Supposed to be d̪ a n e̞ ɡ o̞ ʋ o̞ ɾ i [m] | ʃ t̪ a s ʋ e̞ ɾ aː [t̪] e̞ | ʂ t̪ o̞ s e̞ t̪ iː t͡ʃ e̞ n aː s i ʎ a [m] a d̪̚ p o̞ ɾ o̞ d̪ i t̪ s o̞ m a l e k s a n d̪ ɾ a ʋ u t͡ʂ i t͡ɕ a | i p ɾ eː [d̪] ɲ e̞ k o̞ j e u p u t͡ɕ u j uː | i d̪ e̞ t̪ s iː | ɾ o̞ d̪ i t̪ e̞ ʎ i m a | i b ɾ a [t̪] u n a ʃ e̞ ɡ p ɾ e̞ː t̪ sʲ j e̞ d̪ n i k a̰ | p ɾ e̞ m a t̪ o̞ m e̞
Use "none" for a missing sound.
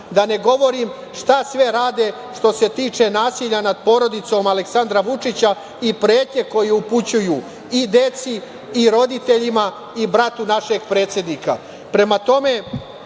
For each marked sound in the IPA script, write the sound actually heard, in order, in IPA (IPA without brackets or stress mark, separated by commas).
m, d̪, n, t̪, t̪